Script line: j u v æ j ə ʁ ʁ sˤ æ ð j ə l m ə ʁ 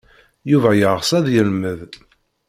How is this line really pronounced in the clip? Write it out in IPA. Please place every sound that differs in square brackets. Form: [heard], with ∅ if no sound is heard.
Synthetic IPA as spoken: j u v æ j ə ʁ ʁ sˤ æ ð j ə l m ə [ð]

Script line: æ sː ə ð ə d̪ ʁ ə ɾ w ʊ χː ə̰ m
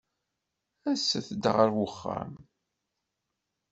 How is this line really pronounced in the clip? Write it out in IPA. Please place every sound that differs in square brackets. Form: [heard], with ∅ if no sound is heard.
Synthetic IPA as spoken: æ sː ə [θ] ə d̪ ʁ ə ɾ w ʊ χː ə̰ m

